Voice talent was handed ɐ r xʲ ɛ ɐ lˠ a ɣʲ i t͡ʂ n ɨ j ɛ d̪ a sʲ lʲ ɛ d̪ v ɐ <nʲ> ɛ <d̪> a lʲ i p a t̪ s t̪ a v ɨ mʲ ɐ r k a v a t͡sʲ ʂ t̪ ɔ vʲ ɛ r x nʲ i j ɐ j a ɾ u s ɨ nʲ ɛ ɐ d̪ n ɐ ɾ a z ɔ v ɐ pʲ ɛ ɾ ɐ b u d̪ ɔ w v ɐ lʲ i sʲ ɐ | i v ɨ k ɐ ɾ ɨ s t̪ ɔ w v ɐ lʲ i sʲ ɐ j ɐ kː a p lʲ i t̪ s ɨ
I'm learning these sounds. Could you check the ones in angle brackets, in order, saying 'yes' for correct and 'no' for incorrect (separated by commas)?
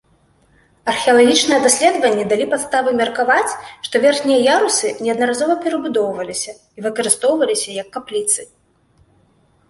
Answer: no, yes